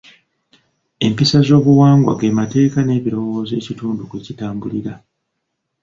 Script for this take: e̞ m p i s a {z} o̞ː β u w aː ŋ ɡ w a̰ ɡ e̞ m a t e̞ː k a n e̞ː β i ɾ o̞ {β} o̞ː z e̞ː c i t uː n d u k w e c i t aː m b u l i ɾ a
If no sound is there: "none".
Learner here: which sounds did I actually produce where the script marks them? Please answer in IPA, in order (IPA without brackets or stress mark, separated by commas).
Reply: z, w